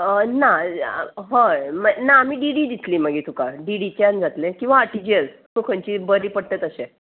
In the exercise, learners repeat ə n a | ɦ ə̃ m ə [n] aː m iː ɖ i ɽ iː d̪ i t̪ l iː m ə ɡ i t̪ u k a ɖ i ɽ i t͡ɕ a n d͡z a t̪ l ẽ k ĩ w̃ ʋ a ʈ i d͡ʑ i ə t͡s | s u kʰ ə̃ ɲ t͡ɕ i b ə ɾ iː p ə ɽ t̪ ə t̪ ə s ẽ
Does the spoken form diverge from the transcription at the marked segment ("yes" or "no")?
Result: no